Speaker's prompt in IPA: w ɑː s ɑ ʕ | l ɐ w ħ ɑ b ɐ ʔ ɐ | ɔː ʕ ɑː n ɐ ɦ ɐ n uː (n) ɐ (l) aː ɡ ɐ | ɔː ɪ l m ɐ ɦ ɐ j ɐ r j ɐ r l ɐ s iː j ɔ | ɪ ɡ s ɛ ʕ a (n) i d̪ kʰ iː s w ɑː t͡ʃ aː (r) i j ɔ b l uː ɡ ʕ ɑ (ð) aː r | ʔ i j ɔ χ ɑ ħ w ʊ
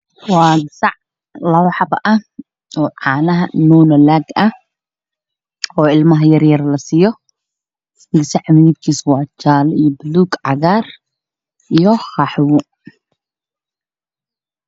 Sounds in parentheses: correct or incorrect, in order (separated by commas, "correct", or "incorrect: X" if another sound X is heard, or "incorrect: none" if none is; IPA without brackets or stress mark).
correct, correct, incorrect: m, incorrect: l, incorrect: ɣ